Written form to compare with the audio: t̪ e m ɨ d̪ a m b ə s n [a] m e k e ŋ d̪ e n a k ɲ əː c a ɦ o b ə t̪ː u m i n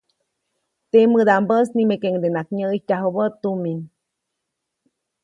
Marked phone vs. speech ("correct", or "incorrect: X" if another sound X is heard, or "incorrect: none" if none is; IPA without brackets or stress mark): incorrect: i